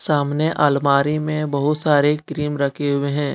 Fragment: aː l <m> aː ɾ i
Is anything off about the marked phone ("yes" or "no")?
no